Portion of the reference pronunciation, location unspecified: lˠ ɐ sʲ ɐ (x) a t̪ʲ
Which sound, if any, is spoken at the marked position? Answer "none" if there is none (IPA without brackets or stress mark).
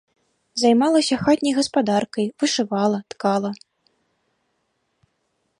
x